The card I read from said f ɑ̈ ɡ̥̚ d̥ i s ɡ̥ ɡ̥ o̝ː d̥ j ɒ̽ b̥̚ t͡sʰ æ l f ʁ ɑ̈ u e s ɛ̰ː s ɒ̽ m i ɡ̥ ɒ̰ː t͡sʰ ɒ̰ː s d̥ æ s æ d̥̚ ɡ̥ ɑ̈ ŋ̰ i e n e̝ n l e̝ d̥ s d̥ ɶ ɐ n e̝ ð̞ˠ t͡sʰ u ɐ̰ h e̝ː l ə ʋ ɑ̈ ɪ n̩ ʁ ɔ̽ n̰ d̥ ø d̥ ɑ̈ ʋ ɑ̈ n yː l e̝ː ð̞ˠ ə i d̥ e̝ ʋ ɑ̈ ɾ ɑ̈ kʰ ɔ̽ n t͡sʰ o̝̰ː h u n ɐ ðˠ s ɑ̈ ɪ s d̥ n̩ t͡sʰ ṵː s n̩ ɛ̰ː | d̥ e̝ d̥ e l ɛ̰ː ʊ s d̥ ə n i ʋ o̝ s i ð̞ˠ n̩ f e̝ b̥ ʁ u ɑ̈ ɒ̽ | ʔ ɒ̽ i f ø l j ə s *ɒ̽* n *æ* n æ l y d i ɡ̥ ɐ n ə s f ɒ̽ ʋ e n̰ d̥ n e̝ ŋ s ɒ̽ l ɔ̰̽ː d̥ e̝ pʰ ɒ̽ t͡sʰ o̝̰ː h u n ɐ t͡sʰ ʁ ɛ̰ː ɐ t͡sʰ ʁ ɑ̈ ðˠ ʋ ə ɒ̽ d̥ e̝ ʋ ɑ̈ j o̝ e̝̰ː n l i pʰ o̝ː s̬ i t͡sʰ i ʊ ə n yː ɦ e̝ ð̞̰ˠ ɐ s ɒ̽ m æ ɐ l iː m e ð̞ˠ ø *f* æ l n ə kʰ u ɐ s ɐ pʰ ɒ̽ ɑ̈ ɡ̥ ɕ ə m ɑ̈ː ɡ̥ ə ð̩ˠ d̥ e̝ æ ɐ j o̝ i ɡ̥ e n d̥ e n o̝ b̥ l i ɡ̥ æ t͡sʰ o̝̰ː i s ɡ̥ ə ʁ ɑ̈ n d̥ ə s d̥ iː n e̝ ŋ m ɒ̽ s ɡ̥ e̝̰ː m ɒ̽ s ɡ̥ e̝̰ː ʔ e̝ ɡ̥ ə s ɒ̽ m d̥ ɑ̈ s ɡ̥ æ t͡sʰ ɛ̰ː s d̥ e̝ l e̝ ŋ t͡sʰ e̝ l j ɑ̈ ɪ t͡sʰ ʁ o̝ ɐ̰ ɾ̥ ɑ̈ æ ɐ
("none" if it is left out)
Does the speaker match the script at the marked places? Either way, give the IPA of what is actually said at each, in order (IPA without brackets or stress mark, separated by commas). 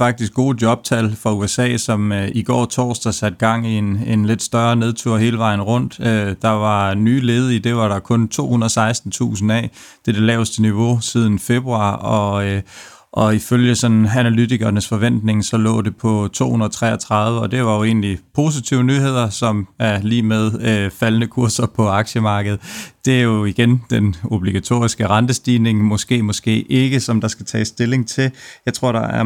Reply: ɒ̽, æ, f